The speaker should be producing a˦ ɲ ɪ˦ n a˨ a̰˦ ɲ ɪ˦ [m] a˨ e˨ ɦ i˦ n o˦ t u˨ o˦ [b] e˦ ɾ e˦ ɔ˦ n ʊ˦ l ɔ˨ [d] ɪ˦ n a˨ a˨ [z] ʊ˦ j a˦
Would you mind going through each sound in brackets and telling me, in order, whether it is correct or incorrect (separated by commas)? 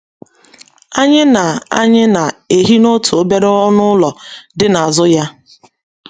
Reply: incorrect, correct, correct, correct